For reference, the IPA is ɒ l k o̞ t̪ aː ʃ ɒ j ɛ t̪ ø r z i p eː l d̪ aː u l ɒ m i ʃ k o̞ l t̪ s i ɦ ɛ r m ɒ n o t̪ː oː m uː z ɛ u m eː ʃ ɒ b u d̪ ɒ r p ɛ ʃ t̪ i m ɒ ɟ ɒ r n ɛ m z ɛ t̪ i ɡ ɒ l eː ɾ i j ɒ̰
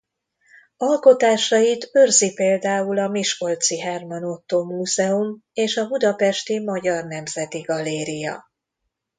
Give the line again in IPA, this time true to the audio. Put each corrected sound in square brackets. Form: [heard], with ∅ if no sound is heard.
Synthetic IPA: ɒ l k o̞ t̪ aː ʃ ɒ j [i] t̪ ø r z i p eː l d̪ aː u l ɒ m i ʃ k o̞ l t̪ s i ɦ ɛ r m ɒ n o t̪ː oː m uː z ɛ u m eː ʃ ɒ b u d̪ ɒ [∅] p ɛ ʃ t̪ i m ɒ ɟ ɒ r n ɛ m z ɛ t̪ i ɡ ɒ l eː ɾ i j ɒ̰

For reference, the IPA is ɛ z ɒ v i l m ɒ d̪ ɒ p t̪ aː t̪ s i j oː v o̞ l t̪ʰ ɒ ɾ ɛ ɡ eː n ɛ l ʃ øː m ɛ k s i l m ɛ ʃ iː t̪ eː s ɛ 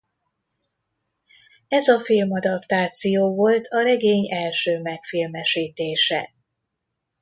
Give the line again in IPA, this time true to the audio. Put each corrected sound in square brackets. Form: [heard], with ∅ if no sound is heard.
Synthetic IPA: ɛ z ɒ [f] i l m ɒ d̪ ɒ p t̪ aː t̪ s i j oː v o̞ l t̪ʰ ɒ ɾ ɛ ɡ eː [ɲ] ɛ l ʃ øː m ɛ k [f] i l m ɛ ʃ iː t̪ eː [ʃ] ɛ

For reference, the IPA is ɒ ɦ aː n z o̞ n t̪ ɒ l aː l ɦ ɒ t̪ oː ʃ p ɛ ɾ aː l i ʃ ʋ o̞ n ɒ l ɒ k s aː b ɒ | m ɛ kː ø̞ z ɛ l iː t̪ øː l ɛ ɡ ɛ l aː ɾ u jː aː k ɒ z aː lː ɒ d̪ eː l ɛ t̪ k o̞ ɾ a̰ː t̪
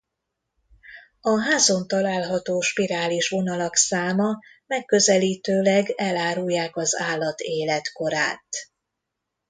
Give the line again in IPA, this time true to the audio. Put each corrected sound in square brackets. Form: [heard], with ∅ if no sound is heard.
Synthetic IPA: ɒ ɦ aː [∅] z o̞ n t̪ ɒ l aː l ɦ ɒ t̪ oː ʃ p [i] ɾ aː l i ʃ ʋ o̞ n ɒ l ɒ k s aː [m] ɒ | m ɛ kː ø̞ z ɛ l iː t̪ øː l ɛ ɡ ɛ l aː ɾ u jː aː k ɒ z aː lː ɒ [t̪] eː l ɛ t̪ k o̞ ɾ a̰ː t̪

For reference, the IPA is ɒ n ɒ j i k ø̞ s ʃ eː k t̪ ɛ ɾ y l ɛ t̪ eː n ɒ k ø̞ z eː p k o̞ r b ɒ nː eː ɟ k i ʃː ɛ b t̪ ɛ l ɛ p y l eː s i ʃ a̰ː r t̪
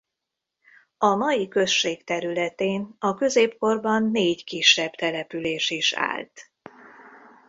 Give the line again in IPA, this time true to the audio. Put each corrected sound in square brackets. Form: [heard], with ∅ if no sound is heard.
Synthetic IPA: ɒ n ɒ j i k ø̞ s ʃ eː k t̪ ɛ ɾ y l ɛ t̪ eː n ɒ k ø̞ z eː p k o̞ r b ɒ nː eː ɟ k i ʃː ɛ b t̪ ɛ l ɛ p y l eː [ʃ] i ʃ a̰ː [l] t̪

